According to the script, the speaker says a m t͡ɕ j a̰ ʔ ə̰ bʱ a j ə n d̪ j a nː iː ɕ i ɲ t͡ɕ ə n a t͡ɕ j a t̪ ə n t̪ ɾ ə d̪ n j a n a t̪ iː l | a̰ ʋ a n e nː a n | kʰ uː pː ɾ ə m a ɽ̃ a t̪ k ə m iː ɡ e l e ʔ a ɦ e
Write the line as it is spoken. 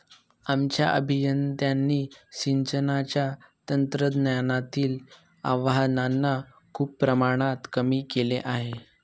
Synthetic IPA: a m t͡ɕ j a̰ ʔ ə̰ bʱ i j ə n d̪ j a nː iː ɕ i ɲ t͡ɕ ə n a t͡ɕ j a t̪ ə n t̪ ɾ ə d̪ n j a n a t̪ iː l | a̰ ʋ a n a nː a | kʰ uː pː ɾ ə m a ɽ̃ a t̪ k ə m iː k e l e ʔ a ɦ e